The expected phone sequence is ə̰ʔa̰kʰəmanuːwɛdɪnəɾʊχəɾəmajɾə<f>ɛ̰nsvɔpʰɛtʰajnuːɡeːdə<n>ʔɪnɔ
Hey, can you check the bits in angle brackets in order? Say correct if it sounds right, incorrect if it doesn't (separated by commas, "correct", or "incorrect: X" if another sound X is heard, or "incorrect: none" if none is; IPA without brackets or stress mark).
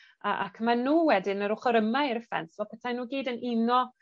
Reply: correct, correct